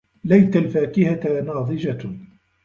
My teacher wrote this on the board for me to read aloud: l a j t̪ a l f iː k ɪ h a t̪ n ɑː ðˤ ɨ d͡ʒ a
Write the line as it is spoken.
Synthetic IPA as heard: l a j t̪ a l f aː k ɪ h a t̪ n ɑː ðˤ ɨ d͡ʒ a

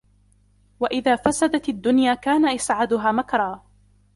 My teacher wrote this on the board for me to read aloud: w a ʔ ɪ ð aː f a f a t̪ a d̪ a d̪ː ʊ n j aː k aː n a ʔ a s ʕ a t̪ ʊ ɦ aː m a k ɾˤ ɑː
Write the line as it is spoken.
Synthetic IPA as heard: w a ʔ ɪ ð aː f a s a d̪ a t̪ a d̪ː ʊ n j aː k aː n a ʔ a s ʕ a d̪ ʊ ɦ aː m a k ɾˤ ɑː

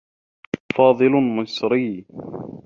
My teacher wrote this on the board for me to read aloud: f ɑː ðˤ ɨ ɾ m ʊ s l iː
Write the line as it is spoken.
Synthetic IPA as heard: f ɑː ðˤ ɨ l m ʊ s ɾ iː

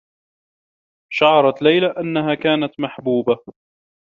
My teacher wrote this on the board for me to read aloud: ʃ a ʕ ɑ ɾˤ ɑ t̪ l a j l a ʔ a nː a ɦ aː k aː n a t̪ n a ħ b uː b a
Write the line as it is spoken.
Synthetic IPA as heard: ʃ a ʕ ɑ ɾˤ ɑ t̪ l a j l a ʔ a nː a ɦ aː k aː n a t̪ m a ħ b uː b a

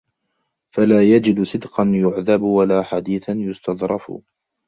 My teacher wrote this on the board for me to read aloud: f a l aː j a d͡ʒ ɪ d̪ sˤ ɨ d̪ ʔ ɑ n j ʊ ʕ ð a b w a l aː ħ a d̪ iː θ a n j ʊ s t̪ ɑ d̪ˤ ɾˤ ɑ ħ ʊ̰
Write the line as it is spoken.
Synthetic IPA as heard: f a l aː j a d͡ʒ ɪ d̪ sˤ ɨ d̪ q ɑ n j ʊ ʕ ð a b w a l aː ħ a d̪ iː θ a n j ʊ s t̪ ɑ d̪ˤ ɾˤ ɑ f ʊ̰

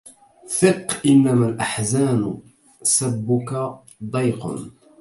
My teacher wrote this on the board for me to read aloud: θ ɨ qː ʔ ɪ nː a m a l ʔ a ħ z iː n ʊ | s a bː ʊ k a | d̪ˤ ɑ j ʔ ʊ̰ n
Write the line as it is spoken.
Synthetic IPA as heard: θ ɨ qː ʔ ɪ nː a m a l ʔ a ħ z aː n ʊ | s a bː ʊ k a | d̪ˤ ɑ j q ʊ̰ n

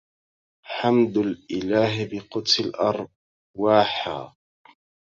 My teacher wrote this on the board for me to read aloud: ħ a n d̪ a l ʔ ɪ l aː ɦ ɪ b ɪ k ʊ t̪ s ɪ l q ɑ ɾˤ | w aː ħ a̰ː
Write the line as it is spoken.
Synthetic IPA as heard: ħ a m d̪ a l ʔ ɪ l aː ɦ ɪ b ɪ q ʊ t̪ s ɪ l ʔ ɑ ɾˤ | w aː ħ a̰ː

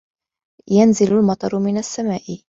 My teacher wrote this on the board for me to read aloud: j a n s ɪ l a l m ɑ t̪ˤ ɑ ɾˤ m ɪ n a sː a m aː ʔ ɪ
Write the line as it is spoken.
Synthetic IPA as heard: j a n z ɪ l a l m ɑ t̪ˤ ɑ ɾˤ m ɪ n a sː a m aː ʔ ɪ

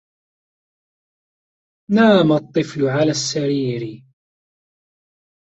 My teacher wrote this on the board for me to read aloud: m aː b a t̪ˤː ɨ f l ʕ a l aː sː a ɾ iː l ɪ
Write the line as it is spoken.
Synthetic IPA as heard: n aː m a t̪ˤː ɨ f l ʕ a l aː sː a ɾ iː ɾ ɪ

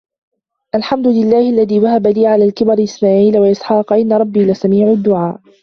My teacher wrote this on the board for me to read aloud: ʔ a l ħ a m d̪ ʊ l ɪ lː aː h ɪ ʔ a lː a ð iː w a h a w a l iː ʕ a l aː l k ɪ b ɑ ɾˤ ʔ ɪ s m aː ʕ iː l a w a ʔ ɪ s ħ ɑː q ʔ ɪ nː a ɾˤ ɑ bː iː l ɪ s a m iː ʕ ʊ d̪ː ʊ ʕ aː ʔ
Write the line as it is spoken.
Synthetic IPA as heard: ʔ a l ħ a m d̪ ʊ l ɪ lː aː h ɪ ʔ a lː a ð iː w a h a b a l iː ʕ a l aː l k ɪ b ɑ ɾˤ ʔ ɪ s m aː ʕ iː l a w a ʔ ɪ s ħ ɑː q ʔ ɪ nː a ɾˤ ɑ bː iː l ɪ s a m iː ʕ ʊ d̪ː ʊ ʕ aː ʔ

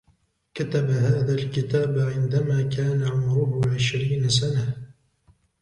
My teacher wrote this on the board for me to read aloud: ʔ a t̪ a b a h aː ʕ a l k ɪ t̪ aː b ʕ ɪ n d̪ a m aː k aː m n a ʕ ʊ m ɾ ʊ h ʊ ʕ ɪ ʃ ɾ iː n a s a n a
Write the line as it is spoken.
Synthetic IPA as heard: k a t̪ a b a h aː ð a l k ɪ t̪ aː b ʕ ɪ n d̪ a m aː k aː n a ʕ ʊ m ɾ ʊ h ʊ ʕ ɪ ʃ ɾ iː n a s a n a

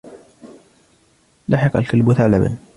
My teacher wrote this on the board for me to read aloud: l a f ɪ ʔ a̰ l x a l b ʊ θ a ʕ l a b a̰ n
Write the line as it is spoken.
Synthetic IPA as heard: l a ħ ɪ q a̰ l k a l b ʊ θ a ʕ l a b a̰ n

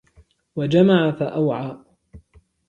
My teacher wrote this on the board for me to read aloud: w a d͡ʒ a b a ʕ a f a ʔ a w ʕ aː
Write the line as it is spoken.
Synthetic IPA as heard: w a d͡ʒ a m a ʕ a f a ʔ a w ʕ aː

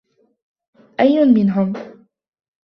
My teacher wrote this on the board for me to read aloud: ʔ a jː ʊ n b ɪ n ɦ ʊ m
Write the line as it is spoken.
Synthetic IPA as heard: ʔ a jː ʊ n m ɪ n ɦ ʊ m

